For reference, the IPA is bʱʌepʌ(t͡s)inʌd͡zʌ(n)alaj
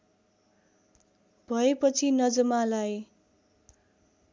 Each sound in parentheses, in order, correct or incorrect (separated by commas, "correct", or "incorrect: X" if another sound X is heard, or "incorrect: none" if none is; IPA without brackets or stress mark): incorrect: t͡sʰ, incorrect: m